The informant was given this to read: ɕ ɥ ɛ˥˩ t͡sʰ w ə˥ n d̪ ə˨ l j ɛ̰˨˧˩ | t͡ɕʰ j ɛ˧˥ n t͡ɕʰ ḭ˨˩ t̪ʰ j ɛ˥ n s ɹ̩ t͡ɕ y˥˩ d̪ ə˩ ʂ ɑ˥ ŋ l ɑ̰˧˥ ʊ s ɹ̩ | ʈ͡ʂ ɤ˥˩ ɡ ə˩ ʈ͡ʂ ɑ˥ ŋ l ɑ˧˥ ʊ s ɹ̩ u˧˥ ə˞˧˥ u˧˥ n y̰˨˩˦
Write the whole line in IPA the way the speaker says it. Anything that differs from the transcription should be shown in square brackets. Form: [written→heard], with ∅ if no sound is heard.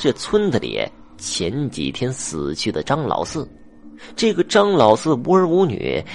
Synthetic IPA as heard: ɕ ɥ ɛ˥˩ t͡sʰ w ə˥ n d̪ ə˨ l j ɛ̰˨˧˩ | t͡ɕʰ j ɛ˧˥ n [t͡ɕʰ→t͡ɕ] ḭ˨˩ t̪ʰ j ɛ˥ n s ɹ̩ [t͡ɕ→t͡ɕʰ] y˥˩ d̪ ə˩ [ʂ→ʈ͡ʂ] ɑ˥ ŋ l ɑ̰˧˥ ʊ s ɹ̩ | ʈ͡ʂ ɤ˥˩ ɡ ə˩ ʈ͡ʂ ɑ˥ ŋ l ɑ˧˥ ʊ s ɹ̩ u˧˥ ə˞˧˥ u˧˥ n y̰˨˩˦